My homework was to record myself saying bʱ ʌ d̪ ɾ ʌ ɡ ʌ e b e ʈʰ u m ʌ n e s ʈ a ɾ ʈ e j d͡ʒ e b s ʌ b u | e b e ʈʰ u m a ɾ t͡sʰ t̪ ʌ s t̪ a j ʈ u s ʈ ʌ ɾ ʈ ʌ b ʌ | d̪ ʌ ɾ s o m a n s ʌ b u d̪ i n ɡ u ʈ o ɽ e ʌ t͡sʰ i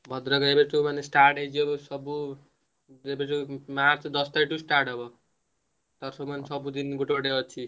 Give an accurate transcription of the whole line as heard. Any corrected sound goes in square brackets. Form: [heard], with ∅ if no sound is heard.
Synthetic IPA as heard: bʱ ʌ d̪ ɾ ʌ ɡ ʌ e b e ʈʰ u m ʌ n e s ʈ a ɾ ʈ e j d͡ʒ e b s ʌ b u | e b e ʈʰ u m a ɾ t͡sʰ [d̪] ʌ s t̪ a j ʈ u s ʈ [a] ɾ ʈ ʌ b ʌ | [t̪] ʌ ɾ s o m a n s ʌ b u d̪ i n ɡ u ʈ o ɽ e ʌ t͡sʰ i